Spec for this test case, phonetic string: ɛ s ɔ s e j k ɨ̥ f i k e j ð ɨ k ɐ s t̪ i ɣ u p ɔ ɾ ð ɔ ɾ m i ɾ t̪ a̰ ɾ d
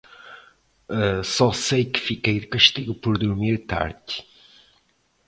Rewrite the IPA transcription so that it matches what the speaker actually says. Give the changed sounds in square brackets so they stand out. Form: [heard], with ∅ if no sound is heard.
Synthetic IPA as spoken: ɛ s ɔ s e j k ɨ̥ f i k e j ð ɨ k ɐ [ʃ] t̪ i ɣ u p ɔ ɾ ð [u] ɾ m i ɾ t̪ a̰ ɾ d